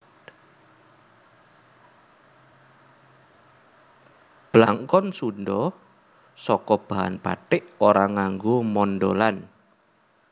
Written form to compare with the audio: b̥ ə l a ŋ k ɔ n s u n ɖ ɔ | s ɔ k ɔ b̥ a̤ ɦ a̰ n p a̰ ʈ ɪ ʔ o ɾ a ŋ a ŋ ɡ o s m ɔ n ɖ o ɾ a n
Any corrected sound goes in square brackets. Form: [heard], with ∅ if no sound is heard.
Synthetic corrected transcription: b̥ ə l a ŋ k ɔ n s u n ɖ ɔ | s ɔ k ɔ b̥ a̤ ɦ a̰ n p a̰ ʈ ɪ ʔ o ɾ a ŋ a ŋ ɡ o [∅] m ɔ n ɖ o [l] a n